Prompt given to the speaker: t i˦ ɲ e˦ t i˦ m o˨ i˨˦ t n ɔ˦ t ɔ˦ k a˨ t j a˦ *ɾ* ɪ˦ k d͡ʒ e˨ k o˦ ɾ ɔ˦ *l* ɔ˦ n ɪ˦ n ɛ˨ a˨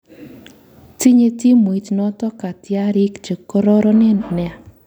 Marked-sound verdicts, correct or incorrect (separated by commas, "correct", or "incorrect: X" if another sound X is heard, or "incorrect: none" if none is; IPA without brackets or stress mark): correct, incorrect: ɾ